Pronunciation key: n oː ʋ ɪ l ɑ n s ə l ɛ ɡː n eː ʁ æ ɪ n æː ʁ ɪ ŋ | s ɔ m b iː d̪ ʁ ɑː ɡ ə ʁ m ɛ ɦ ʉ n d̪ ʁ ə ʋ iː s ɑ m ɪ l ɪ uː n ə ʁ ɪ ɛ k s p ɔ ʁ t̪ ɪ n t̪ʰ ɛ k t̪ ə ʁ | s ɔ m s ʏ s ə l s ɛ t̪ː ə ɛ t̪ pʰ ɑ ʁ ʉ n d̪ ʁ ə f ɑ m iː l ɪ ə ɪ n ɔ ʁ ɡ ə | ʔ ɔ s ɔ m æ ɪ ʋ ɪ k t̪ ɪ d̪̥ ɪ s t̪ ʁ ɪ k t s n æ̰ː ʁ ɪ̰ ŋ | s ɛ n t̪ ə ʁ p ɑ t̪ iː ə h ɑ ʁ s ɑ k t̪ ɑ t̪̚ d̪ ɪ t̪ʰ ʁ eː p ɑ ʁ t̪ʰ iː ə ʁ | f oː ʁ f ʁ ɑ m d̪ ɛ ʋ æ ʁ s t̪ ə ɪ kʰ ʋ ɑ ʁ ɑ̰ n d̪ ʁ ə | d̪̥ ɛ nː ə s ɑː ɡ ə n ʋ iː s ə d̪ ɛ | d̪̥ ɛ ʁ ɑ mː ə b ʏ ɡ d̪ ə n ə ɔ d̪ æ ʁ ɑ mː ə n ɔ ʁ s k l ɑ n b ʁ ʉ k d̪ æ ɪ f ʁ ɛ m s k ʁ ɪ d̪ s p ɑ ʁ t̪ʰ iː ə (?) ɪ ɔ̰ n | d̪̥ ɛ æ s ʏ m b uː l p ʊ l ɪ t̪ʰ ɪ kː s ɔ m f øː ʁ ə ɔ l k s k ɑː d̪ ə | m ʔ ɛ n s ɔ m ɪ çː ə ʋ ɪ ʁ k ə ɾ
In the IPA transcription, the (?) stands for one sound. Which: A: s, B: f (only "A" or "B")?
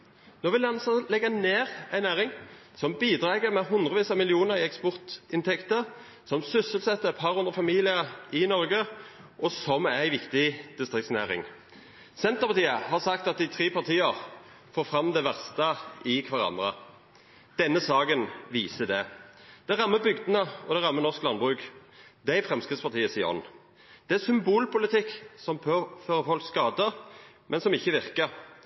A